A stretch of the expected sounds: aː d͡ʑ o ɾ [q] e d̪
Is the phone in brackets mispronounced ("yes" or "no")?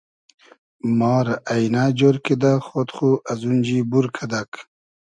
yes